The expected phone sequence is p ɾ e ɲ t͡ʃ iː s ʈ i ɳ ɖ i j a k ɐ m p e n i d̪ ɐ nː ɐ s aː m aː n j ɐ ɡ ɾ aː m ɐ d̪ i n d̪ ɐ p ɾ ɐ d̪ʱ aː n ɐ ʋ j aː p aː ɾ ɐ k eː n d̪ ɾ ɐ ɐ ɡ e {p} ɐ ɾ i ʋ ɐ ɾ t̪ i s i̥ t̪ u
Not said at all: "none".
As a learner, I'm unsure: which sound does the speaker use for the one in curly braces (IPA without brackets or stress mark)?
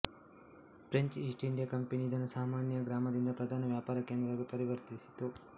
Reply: p